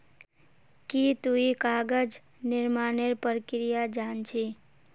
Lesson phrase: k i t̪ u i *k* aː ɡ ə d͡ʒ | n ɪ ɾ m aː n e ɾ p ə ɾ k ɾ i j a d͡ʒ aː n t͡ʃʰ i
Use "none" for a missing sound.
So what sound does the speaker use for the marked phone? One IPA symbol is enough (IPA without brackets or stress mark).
k